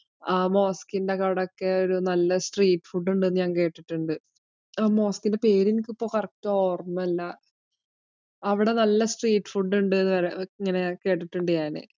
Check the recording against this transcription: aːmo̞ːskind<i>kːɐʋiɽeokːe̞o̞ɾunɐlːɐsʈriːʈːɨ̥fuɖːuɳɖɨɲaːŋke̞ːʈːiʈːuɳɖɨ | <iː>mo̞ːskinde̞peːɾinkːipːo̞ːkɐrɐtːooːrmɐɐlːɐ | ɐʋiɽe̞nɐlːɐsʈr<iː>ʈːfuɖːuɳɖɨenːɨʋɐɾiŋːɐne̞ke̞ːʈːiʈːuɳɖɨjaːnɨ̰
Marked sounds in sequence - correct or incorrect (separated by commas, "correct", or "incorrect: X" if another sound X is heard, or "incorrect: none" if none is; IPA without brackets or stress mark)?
incorrect: e, incorrect: aː, correct